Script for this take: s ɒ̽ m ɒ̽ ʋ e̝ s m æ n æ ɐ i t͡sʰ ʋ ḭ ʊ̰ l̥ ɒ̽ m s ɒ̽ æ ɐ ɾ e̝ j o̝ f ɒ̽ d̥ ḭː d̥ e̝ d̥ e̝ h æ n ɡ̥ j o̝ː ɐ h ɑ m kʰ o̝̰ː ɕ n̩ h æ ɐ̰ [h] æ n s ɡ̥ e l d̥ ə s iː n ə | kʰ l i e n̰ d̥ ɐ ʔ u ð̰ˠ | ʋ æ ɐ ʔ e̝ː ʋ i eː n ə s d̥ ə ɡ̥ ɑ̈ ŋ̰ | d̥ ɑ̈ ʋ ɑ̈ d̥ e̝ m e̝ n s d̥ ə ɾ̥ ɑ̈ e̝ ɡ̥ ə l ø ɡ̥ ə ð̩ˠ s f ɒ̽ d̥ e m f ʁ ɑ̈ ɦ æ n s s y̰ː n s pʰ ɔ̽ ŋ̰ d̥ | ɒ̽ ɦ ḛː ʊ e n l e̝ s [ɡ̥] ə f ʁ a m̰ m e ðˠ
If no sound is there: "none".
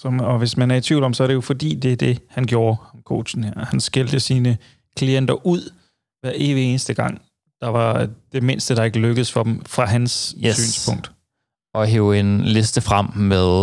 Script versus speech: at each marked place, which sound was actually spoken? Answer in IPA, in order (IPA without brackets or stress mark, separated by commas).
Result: h, d̥